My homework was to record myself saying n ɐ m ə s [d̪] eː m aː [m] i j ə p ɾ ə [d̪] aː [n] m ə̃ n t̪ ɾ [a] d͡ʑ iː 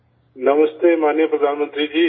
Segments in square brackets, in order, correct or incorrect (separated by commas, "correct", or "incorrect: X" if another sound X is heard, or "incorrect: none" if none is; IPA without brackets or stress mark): incorrect: t̪, incorrect: n, correct, correct, incorrect: i